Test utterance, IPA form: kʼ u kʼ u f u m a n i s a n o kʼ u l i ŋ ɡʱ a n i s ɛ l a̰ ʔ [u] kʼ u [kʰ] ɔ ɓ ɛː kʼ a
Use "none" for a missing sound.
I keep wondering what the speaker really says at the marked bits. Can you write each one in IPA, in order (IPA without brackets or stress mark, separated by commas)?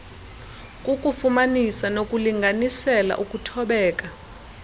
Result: u, tʰ